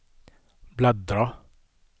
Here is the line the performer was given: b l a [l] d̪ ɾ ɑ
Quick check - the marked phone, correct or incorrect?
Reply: incorrect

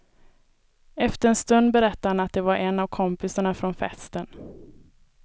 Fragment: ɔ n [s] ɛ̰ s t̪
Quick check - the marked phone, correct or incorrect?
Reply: incorrect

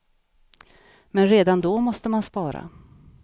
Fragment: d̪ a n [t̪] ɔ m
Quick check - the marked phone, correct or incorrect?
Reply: incorrect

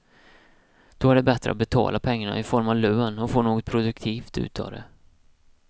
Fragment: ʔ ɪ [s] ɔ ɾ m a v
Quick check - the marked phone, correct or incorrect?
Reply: incorrect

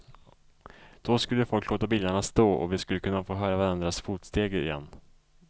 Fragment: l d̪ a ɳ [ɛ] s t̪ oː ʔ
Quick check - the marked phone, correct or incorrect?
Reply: incorrect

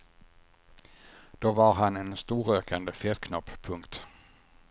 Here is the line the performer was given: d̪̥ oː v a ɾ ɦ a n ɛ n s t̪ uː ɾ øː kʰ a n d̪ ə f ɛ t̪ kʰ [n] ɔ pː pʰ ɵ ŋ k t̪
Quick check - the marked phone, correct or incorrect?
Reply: correct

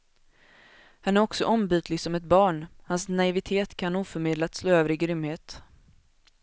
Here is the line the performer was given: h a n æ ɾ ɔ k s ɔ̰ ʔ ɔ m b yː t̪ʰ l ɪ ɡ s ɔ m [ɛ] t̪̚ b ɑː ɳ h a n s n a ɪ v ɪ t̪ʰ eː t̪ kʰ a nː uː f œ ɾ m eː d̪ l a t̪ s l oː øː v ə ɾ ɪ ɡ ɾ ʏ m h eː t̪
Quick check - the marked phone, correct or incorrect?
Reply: correct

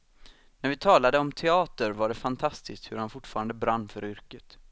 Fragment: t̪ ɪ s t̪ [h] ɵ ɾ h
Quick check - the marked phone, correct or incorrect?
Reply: correct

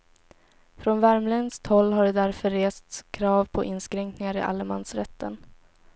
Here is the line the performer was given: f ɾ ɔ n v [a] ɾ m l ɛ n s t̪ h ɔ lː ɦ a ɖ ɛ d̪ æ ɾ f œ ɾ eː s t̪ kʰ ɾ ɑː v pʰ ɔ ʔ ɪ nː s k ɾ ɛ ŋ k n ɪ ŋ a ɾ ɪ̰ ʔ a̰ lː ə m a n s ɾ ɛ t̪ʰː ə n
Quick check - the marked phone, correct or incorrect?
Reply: incorrect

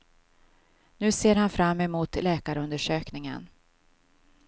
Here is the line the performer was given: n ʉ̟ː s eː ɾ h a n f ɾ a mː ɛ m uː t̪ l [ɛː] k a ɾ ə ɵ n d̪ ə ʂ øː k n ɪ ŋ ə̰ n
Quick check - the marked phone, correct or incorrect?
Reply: correct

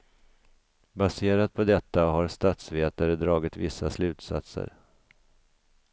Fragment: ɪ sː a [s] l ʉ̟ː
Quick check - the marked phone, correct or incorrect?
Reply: correct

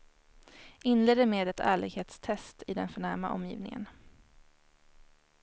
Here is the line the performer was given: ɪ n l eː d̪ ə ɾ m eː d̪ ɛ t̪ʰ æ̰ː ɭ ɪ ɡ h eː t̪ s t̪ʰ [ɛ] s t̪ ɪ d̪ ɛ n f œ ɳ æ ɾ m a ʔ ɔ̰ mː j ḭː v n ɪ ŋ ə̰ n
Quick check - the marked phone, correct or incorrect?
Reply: correct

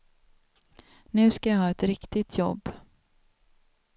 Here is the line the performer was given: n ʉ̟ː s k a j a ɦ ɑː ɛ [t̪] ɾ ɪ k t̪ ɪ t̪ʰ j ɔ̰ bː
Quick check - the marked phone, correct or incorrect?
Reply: correct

